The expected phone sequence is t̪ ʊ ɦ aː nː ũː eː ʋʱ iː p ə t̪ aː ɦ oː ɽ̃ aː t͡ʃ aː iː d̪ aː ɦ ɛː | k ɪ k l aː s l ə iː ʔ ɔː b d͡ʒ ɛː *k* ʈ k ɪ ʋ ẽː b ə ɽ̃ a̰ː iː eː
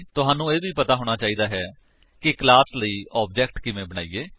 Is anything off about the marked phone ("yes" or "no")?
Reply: no